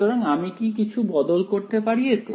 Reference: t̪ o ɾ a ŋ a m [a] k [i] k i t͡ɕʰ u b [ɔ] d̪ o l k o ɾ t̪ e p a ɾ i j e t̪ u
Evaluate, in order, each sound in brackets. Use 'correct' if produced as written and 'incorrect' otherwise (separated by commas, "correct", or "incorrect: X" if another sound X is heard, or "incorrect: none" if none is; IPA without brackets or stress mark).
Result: incorrect: i, correct, correct